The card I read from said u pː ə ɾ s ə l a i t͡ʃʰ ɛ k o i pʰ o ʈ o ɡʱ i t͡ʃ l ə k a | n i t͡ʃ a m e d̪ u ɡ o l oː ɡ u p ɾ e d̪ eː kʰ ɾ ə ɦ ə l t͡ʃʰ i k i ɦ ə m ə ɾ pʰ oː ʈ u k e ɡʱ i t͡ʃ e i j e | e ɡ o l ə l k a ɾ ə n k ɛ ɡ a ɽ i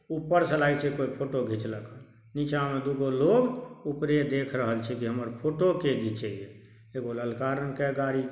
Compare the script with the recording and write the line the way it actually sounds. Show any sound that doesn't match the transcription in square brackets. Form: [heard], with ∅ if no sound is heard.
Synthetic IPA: u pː ə ɾ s ə l a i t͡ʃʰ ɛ k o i pʰ o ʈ o ɡʱ i t͡ʃ l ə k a | n i t͡ʃ a m e d̪ u ɡ o l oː ɡ u p ɾ e d̪ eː kʰ ɾ ə ɦ ə l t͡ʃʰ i k i ɦ ə m ə ɾ pʰ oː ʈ [o] k e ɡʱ i t͡ʃ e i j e | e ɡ o l ə l k a ɾ ə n k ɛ ɡ a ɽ i